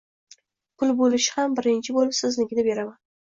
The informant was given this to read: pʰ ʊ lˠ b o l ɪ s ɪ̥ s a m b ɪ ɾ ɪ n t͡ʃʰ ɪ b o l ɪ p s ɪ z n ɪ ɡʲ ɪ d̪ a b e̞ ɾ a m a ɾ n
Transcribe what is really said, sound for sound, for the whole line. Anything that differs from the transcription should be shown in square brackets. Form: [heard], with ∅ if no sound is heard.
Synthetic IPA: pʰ ʊ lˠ b o l ɪ [ʃ] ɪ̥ [h] a m b ɪ ɾ ɪ n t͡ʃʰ ɪ b o l ɪ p s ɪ z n ɪ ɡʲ ɪ d̪ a b e̞ ɾ a m a [∅] n

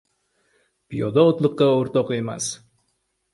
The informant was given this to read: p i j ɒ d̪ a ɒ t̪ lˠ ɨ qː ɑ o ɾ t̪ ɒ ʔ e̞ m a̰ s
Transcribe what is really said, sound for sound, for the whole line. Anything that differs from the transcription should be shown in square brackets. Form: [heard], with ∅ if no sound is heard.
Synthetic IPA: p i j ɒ d̪ a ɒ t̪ lˠ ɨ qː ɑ o ɾ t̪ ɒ [q] e̞ m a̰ s

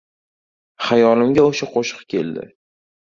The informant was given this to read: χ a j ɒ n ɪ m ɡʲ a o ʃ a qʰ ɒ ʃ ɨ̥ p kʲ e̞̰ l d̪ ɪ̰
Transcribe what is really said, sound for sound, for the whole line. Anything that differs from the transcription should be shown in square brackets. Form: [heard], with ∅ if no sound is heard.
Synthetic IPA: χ a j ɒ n ɪ m ɡʲ a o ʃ a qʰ [o] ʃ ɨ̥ [q] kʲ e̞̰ l d̪ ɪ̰

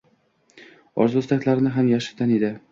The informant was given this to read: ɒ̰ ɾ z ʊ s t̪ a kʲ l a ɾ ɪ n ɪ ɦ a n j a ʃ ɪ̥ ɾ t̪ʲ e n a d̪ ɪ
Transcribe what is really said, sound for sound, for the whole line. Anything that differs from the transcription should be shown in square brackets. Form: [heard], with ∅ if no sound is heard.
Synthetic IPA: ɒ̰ ɾ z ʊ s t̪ a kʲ l a ɾ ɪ n ɪ ɦ a [m] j a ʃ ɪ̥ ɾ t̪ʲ [a] n [e] d̪ ɪ

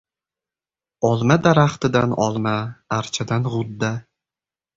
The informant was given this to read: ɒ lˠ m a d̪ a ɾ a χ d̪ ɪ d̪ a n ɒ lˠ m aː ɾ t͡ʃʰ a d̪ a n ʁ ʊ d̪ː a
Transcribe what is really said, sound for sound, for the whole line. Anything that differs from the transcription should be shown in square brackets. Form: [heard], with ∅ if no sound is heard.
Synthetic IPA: ɒ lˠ m a d̪ a ɾ a χ [t̪] ɪ d̪ a n ɒ lˠ m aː ɾ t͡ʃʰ a d̪ a n ʁ ʊ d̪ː a

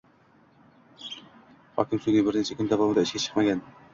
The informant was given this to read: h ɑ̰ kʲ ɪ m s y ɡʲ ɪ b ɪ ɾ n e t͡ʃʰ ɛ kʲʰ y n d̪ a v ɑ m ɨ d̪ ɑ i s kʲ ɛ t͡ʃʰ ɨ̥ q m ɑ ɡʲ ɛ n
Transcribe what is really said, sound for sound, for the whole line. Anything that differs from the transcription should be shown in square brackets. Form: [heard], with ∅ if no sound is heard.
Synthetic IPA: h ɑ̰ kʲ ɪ m s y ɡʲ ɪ b ɪ ɾ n e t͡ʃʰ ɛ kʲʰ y n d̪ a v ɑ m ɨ d̪ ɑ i [ʃ] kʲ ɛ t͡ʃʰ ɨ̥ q m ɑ ɡʲ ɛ n

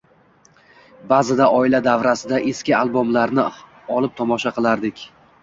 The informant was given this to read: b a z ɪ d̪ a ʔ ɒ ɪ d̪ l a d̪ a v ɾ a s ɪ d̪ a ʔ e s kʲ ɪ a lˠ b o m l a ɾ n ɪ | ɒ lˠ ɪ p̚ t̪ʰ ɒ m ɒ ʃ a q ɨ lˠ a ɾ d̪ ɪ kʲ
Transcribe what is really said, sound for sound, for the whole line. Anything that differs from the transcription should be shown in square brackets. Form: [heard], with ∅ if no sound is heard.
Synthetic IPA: b a z ɪ d̪ a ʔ ɒ ɪ [∅] l a d̪ a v ɾ a s ɪ d̪ a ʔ e s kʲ ɪ a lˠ b o m l a ɾ n ɪ | ɒ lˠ ɪ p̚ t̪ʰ ɒ m ɒ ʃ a q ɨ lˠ a ɾ d̪ ɪ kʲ

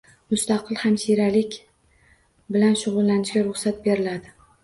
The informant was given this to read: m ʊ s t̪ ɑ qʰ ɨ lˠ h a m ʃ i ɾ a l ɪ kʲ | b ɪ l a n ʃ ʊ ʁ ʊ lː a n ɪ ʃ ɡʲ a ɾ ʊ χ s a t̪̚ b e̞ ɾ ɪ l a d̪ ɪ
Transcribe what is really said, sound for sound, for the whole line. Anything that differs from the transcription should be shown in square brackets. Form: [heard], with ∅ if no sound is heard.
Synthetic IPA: m ʊ s t̪ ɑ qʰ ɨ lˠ h a m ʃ i ɾ a l ɪ kʲ | b ɪ l a n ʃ ʊ ʁ ʊ lː a n ɪ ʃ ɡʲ a ɾ ʊ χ s a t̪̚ b e̞ ɾ ɪ l a d̪ ɪ

